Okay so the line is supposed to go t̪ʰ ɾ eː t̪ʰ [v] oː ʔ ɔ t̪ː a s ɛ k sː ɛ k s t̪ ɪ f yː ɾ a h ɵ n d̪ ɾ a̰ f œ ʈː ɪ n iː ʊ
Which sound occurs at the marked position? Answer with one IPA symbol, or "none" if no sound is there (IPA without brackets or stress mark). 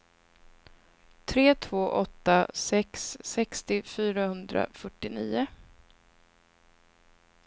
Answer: v